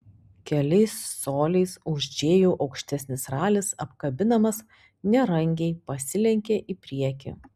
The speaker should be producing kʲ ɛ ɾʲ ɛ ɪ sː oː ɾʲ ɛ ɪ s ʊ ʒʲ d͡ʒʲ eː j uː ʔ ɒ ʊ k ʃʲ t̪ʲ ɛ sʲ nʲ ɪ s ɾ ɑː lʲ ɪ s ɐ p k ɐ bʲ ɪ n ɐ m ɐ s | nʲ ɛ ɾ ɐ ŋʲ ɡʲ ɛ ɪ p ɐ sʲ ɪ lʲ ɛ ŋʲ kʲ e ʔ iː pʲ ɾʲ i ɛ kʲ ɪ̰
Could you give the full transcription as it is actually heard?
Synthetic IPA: kʲ ɛ lʲ ɛ ɪ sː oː lʲ ɛ ɪ s ʊ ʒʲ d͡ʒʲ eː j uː ʔ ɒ ʊ k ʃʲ t̪ʲ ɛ sʲ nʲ ɪ s ɾ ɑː lʲ ɪ s ɐ p k ɐ bʲ ɪ n ɐ m ɐ s | nʲ ɛ ɾ ɐ ŋʲ ɡʲ ɛ ɪ p ɐ sʲ ɪ lʲ ɛ ŋʲ kʲ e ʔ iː pʲ ɾʲ i ɛ kʲ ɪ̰